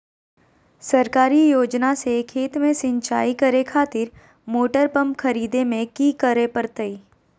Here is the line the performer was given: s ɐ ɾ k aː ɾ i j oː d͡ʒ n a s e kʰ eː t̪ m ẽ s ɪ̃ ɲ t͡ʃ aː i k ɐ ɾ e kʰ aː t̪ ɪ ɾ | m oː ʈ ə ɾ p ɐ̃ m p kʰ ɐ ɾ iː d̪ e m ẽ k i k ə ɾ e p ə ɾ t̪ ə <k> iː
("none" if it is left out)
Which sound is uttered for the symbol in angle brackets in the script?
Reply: none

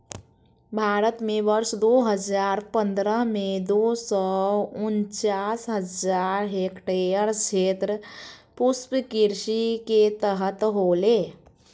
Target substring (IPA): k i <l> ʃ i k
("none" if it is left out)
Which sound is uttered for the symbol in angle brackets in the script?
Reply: ɾ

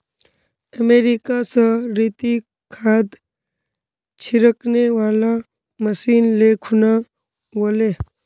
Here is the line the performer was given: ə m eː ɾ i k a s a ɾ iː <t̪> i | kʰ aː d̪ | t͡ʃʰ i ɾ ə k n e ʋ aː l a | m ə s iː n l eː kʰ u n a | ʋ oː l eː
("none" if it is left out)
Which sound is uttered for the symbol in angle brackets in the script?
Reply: t̪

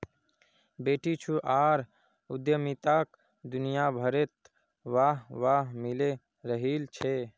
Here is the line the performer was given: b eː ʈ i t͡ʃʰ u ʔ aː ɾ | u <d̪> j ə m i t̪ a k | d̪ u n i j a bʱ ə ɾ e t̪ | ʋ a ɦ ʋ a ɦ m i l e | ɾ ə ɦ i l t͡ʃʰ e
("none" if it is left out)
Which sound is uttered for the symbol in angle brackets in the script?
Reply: d̪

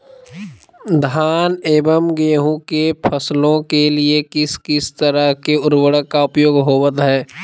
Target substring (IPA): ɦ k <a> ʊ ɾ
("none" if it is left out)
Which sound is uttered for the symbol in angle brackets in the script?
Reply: e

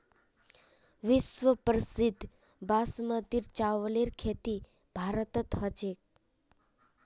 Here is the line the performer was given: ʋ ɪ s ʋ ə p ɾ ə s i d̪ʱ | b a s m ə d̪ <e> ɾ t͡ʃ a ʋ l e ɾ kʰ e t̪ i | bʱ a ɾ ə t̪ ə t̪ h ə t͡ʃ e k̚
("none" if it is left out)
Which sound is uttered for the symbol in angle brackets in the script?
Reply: i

